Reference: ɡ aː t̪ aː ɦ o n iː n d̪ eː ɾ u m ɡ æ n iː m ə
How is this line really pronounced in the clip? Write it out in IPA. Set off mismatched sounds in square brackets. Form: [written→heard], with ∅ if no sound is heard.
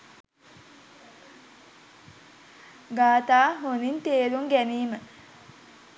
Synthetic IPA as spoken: ɡ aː t̪ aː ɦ o n [iː→i] n [d̪→t̪] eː ɾ u [m→ŋ] ɡ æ n iː m ə